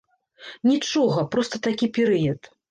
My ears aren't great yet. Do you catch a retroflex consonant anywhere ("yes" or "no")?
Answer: yes